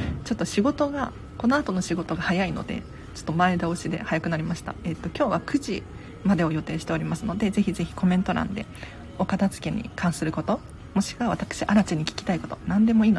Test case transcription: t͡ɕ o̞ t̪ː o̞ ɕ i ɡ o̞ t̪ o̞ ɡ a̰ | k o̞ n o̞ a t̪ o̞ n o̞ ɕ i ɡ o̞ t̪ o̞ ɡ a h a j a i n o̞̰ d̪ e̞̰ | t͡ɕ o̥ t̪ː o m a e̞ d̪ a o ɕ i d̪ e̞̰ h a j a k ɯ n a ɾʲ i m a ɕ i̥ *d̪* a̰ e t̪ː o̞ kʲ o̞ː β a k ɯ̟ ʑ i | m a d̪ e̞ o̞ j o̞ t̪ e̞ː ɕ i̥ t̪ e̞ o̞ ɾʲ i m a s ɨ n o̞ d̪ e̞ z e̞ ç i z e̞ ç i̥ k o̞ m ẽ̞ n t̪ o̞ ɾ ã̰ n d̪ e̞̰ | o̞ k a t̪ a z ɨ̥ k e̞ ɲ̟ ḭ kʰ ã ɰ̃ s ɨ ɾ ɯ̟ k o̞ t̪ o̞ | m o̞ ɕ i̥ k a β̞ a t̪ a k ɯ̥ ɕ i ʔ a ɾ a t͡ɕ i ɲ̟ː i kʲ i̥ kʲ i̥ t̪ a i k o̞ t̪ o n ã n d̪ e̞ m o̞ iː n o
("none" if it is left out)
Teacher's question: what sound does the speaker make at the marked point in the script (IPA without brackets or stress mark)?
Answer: t̪